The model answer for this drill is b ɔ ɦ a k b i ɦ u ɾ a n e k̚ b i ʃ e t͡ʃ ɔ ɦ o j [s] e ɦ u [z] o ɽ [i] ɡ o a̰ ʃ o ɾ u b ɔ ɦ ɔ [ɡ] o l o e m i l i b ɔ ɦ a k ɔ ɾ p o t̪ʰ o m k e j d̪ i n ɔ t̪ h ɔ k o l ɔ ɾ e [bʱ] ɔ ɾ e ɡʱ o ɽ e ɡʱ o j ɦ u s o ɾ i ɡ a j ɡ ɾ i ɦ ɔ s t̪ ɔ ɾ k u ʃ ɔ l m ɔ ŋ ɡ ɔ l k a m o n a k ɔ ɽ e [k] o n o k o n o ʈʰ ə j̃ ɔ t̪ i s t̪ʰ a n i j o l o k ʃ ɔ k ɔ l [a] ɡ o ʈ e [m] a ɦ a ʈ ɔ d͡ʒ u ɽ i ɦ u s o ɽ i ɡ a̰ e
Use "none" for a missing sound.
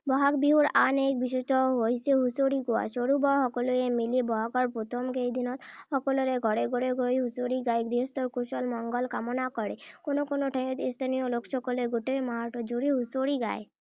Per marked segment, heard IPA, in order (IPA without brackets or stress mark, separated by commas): s, s, i, k, ɡʱ, k, e, m